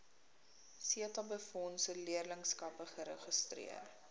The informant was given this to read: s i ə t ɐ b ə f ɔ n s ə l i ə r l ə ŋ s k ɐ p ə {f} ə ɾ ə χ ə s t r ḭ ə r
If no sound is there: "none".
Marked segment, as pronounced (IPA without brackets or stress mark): χ